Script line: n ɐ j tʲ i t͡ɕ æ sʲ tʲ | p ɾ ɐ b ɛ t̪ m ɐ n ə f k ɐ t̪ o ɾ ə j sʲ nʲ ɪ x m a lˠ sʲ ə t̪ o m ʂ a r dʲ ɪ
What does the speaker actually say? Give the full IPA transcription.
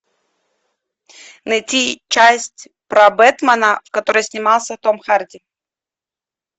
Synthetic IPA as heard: n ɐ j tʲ i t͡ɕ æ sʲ tʲ | p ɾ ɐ b ɛ t̪ m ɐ n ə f k ɐ t̪ o ɾ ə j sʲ nʲ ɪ m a lˠ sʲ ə t̪ o m x a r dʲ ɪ